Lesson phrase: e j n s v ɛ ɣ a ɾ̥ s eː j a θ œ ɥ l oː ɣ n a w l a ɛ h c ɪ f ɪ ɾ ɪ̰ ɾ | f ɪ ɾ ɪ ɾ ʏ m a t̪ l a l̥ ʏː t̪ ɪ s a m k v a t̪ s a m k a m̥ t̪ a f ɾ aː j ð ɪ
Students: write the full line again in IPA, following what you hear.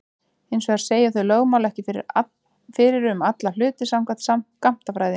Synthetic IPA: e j n s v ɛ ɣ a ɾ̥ s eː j a θ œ ɥ l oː ɣ m a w l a ɛ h c ɪ f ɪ ɾ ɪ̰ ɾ | f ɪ ɾ ɪ ɾ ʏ m a t̪ l a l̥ ʏː t̪ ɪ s a m k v a t̪ s a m k a m̥ t̪ a f ɾ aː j ð ɪ